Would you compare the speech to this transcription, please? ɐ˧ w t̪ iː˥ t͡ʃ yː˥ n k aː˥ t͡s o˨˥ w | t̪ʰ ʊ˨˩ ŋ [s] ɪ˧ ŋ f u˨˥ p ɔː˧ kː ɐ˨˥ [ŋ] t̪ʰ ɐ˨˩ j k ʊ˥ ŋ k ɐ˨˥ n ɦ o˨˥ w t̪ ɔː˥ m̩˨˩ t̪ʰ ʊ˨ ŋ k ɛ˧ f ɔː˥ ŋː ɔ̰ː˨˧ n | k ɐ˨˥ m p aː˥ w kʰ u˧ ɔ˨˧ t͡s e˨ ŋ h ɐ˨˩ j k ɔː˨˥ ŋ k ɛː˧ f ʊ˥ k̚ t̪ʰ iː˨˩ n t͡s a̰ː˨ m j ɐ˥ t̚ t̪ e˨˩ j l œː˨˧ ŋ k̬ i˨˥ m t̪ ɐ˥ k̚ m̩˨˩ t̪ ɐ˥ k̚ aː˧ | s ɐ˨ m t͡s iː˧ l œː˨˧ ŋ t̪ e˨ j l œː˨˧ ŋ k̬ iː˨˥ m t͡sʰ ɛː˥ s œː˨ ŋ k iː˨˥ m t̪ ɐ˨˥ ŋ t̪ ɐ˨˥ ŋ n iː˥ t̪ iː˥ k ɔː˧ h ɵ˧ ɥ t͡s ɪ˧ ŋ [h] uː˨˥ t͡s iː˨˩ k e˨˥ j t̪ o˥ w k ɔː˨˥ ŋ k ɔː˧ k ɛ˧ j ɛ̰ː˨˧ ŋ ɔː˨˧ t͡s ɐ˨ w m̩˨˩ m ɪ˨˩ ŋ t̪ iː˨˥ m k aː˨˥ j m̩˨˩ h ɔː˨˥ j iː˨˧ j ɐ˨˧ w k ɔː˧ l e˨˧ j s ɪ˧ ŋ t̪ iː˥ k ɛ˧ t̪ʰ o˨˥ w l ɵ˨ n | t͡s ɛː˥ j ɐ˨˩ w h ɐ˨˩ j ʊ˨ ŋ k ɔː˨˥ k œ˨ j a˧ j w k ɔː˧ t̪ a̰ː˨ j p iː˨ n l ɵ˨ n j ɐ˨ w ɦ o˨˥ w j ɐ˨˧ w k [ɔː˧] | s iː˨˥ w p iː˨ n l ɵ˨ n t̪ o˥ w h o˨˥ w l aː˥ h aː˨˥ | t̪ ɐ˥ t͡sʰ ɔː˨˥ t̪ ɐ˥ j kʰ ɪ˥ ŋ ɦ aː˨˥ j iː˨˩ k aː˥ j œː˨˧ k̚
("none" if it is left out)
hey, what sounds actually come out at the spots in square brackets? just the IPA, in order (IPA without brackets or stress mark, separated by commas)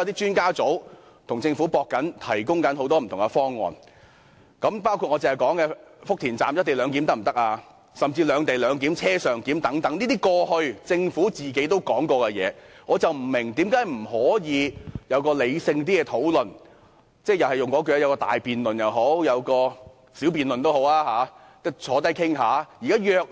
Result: t͡s, n, f, ɔː˧